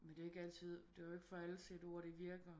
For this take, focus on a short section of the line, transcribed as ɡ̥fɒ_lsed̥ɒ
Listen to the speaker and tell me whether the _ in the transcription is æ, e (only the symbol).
æ